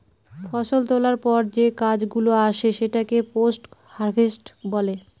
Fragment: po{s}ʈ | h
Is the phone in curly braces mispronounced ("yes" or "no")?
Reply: no